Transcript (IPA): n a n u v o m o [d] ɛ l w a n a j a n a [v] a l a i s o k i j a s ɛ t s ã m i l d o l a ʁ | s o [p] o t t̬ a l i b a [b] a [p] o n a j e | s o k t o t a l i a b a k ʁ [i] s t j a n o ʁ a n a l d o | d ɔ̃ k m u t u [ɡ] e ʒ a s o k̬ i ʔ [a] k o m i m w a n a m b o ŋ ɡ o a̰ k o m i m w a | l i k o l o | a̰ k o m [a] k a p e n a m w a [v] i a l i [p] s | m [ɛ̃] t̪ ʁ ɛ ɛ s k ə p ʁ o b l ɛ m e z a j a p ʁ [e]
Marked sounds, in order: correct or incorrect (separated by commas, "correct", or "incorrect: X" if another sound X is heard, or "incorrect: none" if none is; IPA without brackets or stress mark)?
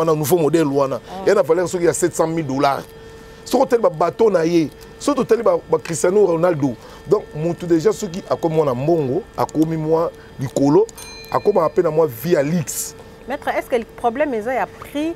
correct, correct, incorrect: k, correct, incorrect: t, correct, incorrect: d, correct, correct, correct, incorrect: k, incorrect: ɛ, incorrect: i